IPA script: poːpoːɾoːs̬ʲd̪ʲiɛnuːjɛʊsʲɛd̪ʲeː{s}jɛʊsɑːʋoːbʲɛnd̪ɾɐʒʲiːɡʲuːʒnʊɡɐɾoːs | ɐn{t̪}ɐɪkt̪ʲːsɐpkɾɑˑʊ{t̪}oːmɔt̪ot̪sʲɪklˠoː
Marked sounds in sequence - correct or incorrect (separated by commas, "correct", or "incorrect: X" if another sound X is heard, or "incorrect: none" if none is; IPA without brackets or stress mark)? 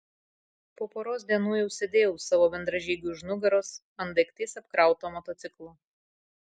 incorrect: none, incorrect: d̪, correct